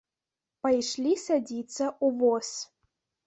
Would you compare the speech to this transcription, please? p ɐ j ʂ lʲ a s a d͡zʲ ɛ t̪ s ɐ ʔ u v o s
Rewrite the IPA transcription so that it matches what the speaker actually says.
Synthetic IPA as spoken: p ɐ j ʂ lʲ i s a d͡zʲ i t̪ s ɐ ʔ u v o s

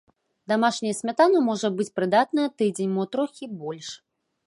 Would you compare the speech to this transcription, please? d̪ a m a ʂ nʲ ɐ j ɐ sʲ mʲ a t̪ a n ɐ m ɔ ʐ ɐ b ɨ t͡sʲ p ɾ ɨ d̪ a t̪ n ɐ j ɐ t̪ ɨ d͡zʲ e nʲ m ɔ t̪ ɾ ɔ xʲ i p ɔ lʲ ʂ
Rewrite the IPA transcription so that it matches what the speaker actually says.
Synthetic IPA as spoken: d̪ a m a ʂ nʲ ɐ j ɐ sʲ mʲ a t̪ a n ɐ m ɔ ʐ ɐ b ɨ t͡sʲ p ɾ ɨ d̪ a t̪ n ɐ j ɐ t̪ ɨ d͡zʲ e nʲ m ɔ t̪ ɾ ɔ xʲ i b ɔ lʲ ʂ

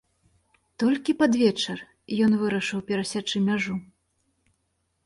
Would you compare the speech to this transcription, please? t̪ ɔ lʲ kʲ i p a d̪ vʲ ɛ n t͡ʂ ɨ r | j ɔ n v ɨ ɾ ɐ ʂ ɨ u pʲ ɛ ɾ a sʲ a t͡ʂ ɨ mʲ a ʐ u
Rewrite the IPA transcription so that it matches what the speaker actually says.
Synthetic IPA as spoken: t̪ ɔ lʲ kʲ i p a d̪ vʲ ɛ t͡ʂ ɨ r | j ɔ n v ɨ ɾ ɐ ʂ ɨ w pʲ ɛ ɾ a sʲ a t͡ʂ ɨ mʲ a ʐ u

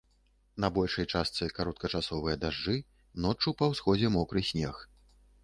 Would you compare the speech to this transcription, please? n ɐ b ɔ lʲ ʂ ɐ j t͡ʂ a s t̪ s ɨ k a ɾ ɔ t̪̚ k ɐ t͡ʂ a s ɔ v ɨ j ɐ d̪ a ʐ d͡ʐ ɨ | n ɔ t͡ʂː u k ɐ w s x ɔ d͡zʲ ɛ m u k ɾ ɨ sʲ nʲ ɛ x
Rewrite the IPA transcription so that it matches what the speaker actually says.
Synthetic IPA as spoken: n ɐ b ɔ lʲ ʂ ɐ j t͡ʂ a s t̪ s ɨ k a ɾ ɔ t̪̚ k ɐ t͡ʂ a s ɔ v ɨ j ɐ d̪ a ʐ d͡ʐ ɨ | n ɔ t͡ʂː u p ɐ w s x ɔ d͡zʲ ɛ m ɔ k ɾ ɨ sʲ nʲ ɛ x

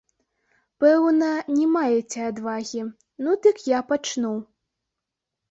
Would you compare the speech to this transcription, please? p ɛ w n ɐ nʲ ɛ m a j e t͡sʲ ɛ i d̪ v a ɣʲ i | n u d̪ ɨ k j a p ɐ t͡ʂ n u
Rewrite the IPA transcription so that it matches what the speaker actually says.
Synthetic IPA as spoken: p ɛ w n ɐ nʲ ɛ m a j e t͡sʲ ɛ a d̪ v a ɣʲ i | n u d̪ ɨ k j a p a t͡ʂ n u

